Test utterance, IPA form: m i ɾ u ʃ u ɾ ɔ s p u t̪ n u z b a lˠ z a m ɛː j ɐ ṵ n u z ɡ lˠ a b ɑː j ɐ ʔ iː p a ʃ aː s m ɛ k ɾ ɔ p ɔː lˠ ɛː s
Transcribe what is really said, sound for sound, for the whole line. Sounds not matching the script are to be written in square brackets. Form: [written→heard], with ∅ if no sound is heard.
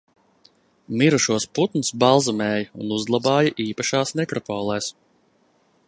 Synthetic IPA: m i ɾ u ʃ u [ɾ→∅] ɔ s p u t̪ n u [z→s] b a lˠ z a m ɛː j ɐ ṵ n u z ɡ lˠ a b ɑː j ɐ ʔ iː p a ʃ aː s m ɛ k ɾ ɔ p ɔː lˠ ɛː s